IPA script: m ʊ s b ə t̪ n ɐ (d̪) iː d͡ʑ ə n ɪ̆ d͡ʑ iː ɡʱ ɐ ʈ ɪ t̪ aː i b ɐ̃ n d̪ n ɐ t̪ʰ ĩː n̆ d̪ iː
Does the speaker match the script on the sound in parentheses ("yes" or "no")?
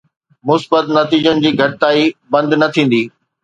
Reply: no